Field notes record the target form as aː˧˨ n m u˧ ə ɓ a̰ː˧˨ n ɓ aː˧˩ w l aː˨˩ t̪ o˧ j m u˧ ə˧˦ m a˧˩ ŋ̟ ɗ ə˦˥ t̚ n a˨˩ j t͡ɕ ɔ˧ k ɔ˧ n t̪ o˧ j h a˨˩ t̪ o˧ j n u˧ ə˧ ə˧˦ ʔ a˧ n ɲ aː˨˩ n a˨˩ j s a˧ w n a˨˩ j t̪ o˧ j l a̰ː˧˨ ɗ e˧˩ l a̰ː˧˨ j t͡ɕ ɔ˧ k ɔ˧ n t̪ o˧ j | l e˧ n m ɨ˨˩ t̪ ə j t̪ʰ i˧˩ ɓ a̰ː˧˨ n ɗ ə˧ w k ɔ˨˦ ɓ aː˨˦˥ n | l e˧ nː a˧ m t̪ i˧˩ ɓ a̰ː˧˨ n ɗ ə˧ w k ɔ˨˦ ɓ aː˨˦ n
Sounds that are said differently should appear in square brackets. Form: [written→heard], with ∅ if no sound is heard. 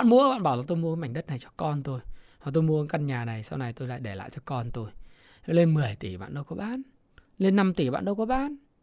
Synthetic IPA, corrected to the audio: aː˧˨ n m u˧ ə ɓ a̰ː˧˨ n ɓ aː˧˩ w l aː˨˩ t̪ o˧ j m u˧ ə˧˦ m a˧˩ ŋ̟ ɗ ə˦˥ t̚ n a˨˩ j t͡ɕ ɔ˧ k ɔ˧ n t̪ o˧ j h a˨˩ t̪ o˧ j [n→m] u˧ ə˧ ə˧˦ [ʔ→k] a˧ n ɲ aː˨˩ n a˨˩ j s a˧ w n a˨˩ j t̪ o˧ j l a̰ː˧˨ ɗ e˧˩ l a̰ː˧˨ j t͡ɕ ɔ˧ k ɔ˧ n t̪ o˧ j | l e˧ n m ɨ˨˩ [t̪→∅] ə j [t̪ʰ→t̪] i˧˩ ɓ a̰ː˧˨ n ɗ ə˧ w k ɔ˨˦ ɓ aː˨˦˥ n | l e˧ nː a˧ m t̪ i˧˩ ɓ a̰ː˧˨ n ɗ ə˧ w k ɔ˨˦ ɓ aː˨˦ n